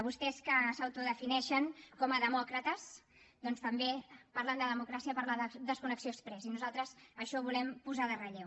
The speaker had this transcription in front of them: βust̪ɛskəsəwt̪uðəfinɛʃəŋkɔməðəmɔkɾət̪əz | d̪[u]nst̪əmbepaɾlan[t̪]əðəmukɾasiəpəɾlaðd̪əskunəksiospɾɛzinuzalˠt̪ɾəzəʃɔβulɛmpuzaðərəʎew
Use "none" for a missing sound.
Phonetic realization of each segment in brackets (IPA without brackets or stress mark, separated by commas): ɔ, d̪